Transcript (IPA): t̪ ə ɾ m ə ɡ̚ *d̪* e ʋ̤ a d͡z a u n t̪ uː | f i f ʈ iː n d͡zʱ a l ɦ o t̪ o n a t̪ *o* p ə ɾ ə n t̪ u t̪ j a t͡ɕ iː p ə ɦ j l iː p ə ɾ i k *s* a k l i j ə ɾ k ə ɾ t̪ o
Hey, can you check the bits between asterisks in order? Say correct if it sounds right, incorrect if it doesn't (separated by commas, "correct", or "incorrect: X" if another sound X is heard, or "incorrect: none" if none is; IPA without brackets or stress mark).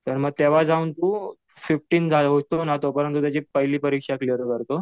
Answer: incorrect: t̪, correct, incorrect: ʂ